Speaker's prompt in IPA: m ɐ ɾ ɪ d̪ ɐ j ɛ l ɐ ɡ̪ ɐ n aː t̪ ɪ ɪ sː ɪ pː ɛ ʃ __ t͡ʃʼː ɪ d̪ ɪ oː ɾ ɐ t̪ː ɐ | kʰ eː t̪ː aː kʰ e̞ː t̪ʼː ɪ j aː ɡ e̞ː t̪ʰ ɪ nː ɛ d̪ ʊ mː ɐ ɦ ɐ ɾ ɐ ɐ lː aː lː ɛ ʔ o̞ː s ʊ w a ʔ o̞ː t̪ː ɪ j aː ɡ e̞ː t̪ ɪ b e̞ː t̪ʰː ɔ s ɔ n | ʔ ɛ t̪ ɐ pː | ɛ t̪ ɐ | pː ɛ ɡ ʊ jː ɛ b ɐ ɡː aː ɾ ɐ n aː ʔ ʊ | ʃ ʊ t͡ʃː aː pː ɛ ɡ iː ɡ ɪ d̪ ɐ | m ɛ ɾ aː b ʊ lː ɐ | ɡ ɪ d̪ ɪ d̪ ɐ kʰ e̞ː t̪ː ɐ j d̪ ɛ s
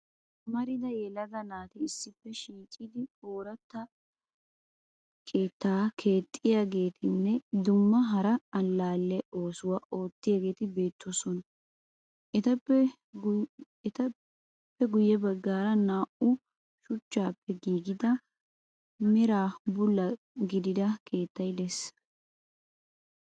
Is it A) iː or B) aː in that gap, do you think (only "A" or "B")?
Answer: A